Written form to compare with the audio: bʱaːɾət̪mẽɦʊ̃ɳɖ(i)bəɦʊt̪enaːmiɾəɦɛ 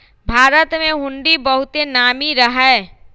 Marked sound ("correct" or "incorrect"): correct